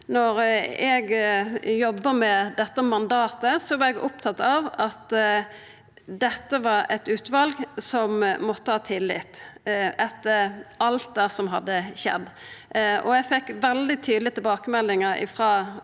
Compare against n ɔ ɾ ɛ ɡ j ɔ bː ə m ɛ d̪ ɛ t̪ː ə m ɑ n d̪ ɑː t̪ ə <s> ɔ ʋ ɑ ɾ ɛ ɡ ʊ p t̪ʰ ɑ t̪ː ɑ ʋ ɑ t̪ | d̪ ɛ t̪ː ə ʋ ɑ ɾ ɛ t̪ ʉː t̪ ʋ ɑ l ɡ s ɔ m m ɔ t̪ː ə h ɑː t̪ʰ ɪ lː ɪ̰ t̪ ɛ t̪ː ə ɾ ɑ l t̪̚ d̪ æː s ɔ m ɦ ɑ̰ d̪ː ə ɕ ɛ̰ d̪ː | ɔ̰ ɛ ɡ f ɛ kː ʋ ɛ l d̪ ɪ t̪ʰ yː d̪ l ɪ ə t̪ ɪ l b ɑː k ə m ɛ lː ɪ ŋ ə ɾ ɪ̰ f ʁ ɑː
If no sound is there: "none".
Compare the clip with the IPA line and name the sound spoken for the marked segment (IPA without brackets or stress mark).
s